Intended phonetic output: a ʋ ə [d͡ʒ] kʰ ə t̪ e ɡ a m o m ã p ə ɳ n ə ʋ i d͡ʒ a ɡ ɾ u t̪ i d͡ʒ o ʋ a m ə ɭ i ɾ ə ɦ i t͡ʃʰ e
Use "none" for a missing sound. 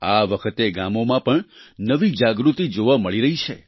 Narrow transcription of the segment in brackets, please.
none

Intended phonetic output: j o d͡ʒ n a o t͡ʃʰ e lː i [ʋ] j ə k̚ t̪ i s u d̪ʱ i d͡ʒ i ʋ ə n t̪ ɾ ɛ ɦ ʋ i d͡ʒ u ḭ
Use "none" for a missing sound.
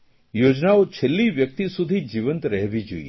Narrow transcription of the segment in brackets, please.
ʋ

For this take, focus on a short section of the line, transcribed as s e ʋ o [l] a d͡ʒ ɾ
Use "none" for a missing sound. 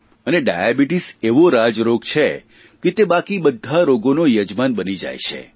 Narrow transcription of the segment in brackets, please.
ɾ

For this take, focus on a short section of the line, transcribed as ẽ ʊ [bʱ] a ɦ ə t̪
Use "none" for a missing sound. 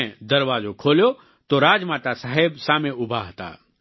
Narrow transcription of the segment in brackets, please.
bʱ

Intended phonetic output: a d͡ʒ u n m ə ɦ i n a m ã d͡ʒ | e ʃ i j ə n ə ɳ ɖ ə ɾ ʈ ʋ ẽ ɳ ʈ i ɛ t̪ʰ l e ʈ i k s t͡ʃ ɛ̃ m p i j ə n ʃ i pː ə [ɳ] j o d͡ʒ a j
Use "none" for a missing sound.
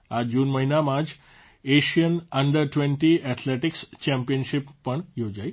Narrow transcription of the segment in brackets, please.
ɳ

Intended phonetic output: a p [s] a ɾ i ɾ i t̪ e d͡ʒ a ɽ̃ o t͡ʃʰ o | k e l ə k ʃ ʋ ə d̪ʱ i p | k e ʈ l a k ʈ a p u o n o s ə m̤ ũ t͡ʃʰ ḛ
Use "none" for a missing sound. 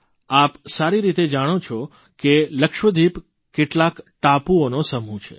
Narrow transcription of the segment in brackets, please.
s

